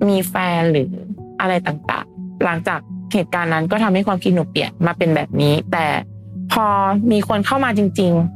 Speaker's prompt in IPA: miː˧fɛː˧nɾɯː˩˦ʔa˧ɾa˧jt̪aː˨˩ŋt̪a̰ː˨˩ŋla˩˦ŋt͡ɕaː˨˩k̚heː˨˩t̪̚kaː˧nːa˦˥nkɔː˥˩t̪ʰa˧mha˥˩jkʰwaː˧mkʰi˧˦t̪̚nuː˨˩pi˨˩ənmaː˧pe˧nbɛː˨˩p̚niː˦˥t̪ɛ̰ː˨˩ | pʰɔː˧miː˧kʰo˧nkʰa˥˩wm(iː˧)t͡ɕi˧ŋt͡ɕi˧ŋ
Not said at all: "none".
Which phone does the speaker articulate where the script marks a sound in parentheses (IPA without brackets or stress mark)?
aː˧